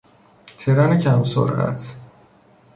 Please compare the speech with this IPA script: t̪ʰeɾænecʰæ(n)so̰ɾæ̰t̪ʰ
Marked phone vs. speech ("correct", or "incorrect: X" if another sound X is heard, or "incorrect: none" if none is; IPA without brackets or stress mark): incorrect: m